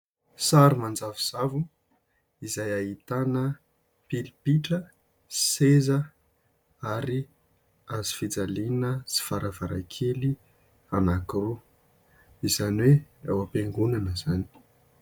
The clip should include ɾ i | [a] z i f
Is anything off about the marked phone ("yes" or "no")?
no